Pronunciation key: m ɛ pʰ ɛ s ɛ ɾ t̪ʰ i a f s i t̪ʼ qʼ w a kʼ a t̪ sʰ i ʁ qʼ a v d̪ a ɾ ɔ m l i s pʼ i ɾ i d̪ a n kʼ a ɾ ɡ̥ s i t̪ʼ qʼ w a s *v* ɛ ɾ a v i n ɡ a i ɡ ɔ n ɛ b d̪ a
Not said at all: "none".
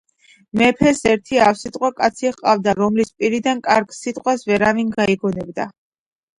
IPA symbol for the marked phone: v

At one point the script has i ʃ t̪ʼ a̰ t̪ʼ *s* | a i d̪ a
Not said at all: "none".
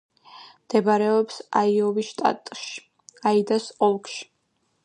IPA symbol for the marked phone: ʃ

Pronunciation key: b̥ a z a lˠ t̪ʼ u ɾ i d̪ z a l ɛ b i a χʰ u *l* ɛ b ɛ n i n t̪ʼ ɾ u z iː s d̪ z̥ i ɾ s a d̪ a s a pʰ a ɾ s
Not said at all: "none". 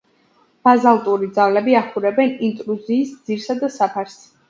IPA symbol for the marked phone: ɾ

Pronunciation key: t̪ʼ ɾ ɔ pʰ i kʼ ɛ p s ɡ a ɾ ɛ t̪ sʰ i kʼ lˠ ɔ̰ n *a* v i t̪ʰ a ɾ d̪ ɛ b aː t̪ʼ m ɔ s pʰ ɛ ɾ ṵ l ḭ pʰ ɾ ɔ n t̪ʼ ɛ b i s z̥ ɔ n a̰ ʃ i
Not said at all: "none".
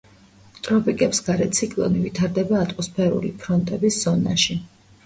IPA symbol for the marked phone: i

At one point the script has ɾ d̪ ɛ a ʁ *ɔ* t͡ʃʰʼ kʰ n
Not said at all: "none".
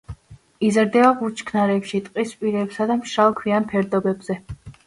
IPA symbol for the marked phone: u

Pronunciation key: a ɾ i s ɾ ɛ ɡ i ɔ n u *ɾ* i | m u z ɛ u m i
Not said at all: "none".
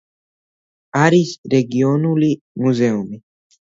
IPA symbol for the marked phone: l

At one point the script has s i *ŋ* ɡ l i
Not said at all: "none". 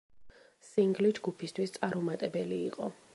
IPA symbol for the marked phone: ŋ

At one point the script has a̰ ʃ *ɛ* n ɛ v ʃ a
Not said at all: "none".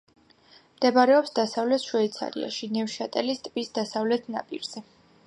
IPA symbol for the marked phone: i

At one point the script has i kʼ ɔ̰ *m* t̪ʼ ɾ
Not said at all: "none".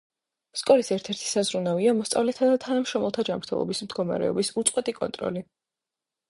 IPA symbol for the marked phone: n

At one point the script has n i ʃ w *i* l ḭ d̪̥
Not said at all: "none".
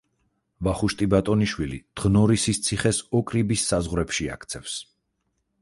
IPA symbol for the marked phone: i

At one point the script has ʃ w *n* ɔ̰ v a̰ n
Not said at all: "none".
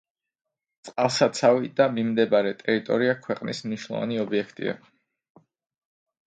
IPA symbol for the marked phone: n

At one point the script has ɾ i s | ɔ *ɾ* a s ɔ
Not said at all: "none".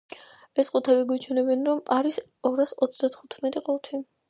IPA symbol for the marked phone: ɾ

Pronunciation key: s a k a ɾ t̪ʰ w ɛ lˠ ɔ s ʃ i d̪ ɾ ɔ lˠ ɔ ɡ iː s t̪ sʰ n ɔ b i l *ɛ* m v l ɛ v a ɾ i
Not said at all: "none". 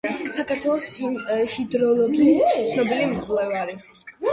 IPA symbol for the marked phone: i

